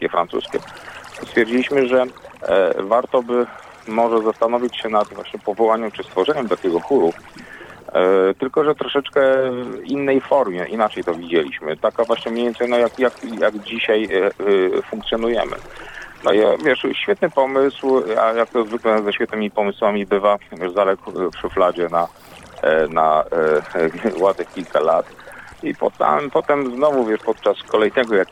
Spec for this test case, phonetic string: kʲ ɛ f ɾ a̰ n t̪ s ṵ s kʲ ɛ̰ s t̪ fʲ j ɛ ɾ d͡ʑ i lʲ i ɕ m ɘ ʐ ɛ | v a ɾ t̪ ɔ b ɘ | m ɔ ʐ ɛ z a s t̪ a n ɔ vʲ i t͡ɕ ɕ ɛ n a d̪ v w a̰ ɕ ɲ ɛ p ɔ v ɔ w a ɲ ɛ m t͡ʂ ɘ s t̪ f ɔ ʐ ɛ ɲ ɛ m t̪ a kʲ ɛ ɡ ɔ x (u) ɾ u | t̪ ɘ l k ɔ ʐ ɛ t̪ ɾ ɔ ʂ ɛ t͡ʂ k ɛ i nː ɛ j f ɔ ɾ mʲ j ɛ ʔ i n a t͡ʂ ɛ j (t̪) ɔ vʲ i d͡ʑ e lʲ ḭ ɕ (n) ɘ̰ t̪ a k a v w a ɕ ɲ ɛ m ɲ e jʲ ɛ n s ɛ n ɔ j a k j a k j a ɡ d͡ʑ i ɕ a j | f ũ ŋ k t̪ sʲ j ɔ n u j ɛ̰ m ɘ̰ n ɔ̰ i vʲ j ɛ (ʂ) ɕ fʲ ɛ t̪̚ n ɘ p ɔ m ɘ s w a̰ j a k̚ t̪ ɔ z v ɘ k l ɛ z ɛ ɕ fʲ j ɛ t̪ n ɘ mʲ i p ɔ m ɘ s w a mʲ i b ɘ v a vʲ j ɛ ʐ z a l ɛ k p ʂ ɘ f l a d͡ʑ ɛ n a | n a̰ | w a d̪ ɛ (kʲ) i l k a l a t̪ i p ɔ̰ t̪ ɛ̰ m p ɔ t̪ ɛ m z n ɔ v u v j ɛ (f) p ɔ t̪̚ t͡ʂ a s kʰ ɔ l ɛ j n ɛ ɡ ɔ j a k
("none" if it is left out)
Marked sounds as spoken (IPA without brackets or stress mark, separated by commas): u, t̪, m, ʂ, kʲ, ʂ